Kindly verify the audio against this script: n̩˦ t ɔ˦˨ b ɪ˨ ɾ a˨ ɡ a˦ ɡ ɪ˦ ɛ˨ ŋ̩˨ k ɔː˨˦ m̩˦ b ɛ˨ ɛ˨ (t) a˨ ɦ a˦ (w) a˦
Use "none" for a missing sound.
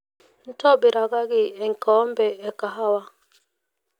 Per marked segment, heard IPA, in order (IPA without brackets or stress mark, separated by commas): k, w